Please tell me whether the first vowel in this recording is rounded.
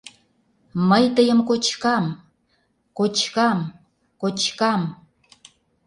no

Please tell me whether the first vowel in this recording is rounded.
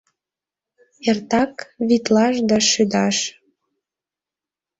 no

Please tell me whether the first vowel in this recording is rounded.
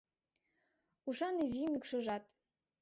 yes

